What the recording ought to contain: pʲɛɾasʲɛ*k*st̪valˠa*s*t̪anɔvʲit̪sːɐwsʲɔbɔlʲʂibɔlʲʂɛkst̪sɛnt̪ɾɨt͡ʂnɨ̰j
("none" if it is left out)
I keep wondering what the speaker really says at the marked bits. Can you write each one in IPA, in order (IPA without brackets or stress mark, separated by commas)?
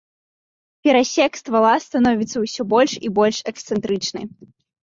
k, s